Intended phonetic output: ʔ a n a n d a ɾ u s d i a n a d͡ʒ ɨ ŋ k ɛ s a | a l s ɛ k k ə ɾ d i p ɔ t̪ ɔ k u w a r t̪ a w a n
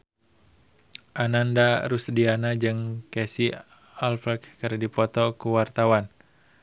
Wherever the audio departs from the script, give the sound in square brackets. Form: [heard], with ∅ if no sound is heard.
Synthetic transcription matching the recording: ʔ a n a n d a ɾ u s d i a n a d͡ʒ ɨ ŋ k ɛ s [i] | a l [f] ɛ k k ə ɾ d i p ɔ t̪ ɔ k u w a r t̪ a w a n